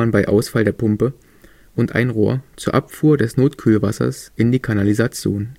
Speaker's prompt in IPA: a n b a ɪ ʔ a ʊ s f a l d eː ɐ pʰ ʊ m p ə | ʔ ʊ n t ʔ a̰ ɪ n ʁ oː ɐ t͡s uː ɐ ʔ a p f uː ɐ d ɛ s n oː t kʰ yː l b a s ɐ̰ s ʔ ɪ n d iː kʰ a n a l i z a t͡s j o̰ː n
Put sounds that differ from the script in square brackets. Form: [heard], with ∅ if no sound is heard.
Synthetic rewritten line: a n b a ɪ ʔ a ʊ s f a l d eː ɐ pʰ ʊ m p ə | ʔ ʊ n t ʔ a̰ ɪ n ʁ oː ɐ t͡s uː ɐ ʔ a p f uː ɐ d ɛ s n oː t kʰ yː l [v] a s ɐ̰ s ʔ ɪ n d iː kʰ a n a l i z a t͡s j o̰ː n